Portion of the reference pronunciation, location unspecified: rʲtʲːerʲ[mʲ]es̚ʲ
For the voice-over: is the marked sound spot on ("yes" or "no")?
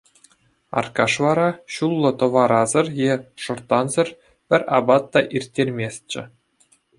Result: yes